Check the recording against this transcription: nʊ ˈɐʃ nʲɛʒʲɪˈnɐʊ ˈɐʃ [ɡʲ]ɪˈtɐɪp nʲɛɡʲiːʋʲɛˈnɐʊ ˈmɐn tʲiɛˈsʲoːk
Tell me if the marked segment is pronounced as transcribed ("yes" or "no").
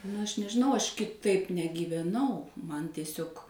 no